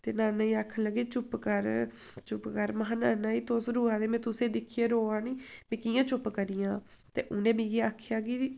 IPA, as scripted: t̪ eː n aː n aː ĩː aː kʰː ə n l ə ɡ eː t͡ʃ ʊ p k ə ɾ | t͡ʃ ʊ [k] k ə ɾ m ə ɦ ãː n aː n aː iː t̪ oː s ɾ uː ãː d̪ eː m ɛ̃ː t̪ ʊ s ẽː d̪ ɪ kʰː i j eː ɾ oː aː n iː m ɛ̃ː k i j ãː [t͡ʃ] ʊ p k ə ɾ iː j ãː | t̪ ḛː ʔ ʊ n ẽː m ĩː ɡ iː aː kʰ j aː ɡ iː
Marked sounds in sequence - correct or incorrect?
incorrect, correct

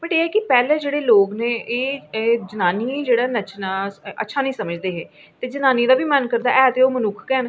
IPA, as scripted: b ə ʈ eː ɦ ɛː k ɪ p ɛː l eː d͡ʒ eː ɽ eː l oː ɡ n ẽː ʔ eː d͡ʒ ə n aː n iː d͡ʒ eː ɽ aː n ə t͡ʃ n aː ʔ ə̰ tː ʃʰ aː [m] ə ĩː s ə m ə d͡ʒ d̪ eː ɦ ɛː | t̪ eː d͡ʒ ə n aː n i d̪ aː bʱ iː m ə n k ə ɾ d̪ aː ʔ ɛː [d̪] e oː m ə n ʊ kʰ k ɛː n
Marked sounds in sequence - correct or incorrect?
incorrect, incorrect

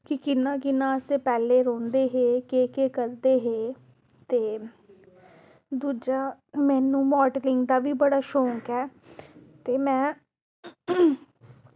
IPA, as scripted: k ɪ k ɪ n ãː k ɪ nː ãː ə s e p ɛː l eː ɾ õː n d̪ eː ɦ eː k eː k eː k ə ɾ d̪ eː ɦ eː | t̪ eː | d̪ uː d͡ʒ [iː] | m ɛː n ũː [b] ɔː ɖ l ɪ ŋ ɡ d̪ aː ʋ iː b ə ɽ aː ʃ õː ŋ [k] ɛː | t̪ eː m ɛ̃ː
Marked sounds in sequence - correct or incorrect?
incorrect, incorrect, correct

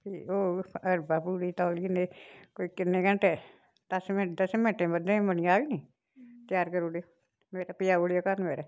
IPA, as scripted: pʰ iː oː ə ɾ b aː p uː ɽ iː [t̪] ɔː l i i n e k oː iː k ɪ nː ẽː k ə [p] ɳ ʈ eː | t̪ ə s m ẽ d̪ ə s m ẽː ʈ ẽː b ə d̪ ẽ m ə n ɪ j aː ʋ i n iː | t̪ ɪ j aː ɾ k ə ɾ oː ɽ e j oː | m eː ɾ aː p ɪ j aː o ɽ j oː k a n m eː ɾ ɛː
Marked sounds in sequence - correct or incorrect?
correct, incorrect

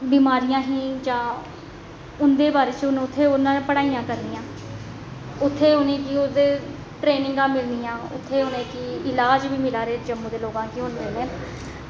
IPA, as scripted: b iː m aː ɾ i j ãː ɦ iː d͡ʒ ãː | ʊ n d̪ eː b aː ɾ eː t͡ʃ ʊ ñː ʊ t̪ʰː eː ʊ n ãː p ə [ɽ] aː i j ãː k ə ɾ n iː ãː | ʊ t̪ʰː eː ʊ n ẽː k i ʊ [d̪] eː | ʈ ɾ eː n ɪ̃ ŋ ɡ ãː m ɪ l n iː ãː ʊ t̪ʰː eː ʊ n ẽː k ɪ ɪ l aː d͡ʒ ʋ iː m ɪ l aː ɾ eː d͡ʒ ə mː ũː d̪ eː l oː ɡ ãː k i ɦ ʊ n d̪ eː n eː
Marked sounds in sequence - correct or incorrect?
correct, correct

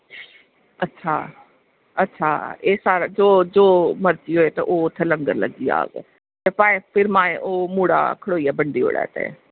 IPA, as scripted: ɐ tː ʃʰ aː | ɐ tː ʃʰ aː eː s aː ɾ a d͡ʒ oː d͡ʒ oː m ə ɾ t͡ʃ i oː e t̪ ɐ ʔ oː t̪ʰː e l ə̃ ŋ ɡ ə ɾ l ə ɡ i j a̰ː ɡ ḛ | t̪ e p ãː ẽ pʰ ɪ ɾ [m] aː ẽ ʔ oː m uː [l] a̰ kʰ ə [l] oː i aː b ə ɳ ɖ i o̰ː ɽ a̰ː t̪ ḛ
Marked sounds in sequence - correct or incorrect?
correct, incorrect, incorrect

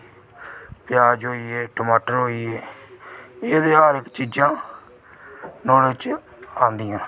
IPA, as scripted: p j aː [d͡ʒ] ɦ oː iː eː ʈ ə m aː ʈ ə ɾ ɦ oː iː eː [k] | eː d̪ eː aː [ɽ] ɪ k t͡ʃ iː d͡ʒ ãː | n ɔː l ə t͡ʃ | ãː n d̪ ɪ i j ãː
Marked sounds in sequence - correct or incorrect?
correct, incorrect, incorrect

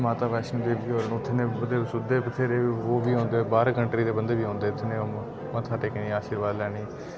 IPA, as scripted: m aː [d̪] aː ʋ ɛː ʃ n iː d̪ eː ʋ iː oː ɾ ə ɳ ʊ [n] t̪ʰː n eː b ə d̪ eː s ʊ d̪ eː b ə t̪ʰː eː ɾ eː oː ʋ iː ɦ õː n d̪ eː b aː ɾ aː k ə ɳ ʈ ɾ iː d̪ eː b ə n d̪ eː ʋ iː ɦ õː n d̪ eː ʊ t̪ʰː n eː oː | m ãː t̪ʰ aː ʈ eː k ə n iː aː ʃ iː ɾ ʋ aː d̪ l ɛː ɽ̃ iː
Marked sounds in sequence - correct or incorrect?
incorrect, incorrect

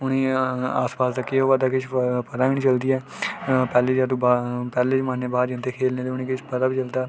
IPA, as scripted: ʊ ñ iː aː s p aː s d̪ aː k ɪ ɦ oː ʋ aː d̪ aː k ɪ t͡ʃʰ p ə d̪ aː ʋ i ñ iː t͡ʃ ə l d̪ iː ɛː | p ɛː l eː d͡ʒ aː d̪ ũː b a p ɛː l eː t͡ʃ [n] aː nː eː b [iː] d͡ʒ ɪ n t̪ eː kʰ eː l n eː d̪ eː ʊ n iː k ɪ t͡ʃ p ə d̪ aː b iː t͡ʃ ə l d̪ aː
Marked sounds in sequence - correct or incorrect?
incorrect, incorrect

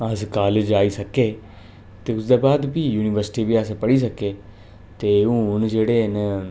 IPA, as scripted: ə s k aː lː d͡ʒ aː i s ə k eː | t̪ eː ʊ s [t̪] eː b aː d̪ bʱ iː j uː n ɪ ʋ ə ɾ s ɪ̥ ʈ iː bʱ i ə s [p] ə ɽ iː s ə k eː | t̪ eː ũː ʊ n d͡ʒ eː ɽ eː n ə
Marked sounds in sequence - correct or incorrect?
incorrect, correct

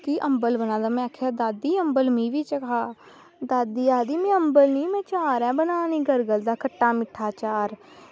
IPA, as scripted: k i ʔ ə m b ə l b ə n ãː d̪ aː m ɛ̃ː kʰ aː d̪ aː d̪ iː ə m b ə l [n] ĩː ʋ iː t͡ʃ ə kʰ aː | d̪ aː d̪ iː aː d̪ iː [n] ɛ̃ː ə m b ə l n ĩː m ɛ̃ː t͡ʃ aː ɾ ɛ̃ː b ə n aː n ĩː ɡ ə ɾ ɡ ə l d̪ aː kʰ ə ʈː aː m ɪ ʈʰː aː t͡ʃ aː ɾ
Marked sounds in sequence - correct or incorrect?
incorrect, incorrect

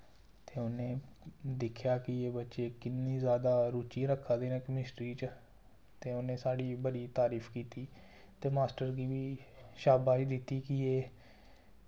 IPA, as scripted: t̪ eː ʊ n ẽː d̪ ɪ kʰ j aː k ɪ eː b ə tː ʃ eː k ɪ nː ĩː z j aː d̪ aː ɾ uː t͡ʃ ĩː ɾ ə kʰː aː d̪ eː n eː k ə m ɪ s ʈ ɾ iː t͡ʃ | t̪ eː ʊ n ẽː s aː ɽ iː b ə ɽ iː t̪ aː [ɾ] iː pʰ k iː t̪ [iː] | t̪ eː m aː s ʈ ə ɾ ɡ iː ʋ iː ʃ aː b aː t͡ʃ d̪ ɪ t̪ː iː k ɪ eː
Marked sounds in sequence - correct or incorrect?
correct, correct

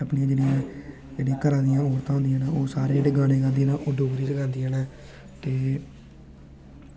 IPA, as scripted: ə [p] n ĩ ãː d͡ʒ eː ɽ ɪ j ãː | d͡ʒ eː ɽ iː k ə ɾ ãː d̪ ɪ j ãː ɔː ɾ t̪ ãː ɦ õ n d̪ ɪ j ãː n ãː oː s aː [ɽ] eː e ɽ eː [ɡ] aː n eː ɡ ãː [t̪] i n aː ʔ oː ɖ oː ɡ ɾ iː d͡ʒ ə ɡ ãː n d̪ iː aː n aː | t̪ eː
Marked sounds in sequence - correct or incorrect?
correct, incorrect, correct, incorrect

